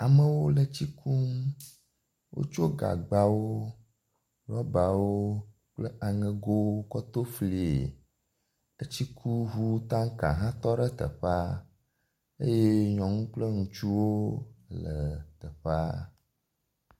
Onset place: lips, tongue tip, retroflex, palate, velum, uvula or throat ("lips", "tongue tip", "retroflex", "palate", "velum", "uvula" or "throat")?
lips